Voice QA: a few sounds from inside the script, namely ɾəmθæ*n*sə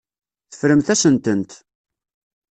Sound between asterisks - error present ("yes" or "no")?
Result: yes